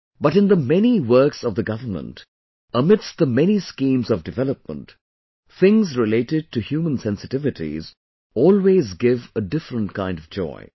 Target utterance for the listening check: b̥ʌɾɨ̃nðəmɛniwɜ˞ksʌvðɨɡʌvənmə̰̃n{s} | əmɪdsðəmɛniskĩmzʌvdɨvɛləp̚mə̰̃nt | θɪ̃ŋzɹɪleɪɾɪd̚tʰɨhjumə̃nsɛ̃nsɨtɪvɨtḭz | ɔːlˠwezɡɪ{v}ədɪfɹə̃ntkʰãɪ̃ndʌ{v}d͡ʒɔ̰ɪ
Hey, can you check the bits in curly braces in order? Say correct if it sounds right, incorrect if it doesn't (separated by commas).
incorrect, correct, correct